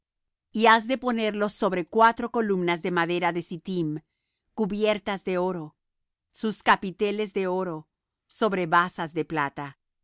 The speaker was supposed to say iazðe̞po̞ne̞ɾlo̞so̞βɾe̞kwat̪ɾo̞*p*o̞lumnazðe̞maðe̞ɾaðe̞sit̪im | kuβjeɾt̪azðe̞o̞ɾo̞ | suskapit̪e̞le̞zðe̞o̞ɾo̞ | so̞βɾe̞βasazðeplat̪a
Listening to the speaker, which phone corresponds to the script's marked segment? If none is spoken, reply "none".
k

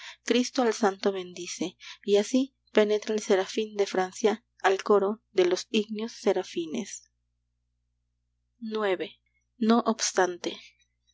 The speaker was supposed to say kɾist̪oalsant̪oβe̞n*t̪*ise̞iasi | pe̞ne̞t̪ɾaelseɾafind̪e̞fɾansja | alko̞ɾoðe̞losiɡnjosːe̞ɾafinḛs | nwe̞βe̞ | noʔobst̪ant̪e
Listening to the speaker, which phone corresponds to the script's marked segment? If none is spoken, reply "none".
d̪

